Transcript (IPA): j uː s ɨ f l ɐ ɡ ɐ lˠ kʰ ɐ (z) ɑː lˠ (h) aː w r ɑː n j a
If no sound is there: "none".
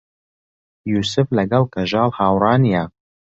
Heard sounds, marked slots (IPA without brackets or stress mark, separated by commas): ʒ, h